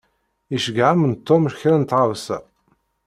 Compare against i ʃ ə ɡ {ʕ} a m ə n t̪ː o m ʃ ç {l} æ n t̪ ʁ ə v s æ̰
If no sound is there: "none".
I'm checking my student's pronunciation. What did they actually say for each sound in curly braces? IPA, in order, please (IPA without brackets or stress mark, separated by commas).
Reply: ʕ, ɾ